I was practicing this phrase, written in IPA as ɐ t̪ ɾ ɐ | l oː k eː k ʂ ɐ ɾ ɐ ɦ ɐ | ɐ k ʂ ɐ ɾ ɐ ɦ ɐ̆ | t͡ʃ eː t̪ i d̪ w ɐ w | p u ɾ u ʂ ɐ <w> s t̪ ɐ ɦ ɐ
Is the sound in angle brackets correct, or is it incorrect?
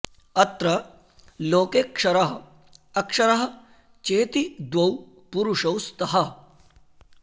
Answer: correct